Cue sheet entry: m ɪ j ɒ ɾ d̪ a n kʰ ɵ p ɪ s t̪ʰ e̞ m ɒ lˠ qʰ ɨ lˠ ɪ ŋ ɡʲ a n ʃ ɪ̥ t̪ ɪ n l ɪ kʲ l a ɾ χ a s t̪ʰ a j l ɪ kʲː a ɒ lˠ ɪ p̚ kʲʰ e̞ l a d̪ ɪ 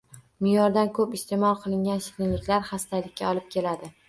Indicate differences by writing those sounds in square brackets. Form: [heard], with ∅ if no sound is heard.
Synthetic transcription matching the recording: m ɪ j ɒ ɾ d̪ a n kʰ ɵ p ɪ s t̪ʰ e̞ m ɒ lˠ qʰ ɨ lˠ ɪ ŋ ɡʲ a n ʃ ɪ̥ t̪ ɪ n l ɪ kʲ l a ɾ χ a s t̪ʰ a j l ɪ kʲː a ɒ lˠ ɪ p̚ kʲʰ e̞ l a d̪ ɪ